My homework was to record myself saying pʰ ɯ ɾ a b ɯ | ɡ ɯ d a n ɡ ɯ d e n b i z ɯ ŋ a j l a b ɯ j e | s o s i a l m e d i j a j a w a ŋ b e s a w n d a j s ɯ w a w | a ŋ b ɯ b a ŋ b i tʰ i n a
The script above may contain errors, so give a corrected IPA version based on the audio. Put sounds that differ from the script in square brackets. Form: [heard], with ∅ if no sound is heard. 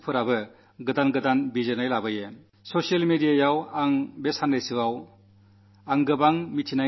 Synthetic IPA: pʰ ɯ ɾ a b ɯ | ɡ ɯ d a n ɡ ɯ d [a] n b i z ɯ [n] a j l a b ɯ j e | s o s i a l m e d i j a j a w a ŋ b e s a [∅] n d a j s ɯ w a w | a ŋ [ɡ] ɯ b a ŋ [m] i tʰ i n a